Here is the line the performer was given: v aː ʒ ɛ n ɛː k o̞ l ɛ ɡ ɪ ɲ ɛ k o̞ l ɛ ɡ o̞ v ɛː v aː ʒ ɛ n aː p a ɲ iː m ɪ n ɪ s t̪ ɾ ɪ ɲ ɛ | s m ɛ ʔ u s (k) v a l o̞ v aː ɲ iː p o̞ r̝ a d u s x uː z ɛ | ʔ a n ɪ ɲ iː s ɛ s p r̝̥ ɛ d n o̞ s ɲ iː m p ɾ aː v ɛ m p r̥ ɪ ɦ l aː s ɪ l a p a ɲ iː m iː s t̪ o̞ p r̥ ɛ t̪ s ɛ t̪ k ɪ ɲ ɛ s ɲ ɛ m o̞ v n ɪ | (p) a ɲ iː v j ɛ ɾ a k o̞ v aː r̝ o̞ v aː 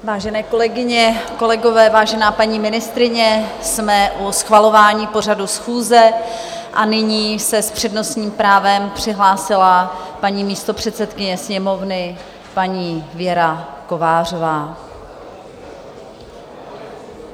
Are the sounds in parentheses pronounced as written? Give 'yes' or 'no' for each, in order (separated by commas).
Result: no, yes